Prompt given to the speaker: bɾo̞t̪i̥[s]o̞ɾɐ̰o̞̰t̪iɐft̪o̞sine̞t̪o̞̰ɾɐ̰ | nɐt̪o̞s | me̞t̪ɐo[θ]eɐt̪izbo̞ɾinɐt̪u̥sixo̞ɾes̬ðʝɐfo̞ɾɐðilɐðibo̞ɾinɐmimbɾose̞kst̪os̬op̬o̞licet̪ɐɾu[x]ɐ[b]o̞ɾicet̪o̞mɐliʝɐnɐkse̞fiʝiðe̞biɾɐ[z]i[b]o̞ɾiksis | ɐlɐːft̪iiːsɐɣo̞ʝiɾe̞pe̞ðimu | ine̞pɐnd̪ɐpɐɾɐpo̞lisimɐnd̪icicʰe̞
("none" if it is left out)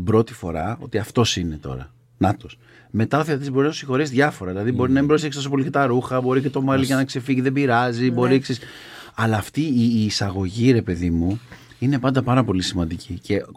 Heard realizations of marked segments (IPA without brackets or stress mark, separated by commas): f, θ, x, b, z, b